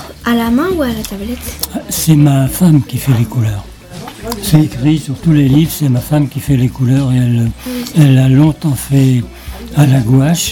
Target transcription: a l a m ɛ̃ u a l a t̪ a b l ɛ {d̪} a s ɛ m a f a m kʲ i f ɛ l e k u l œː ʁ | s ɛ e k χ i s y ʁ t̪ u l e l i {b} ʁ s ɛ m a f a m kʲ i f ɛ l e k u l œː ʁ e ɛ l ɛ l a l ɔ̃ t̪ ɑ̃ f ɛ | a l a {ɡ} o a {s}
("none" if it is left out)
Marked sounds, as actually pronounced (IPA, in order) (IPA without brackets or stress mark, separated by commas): t̪, v, ɡ, ʃ